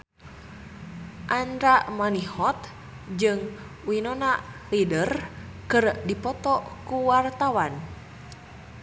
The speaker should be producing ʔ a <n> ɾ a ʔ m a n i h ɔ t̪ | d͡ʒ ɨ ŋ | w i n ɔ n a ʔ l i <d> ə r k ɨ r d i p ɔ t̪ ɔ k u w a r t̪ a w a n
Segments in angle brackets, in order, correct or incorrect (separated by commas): correct, correct